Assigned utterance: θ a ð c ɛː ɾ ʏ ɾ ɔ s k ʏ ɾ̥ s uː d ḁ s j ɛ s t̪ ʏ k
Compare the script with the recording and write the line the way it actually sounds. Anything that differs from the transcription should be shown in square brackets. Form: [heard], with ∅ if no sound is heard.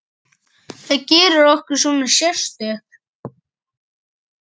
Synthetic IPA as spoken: θ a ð c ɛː ɾ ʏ ɾ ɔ [h] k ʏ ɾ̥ s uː [n] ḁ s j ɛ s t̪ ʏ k